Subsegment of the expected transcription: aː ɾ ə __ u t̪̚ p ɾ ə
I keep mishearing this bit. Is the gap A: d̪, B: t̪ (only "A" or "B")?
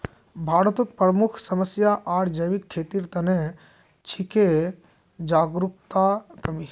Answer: B